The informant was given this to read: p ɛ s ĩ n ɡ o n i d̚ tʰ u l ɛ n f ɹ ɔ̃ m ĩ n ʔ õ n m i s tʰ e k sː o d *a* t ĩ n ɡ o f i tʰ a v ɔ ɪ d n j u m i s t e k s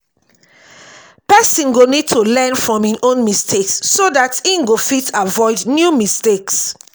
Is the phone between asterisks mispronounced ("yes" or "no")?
no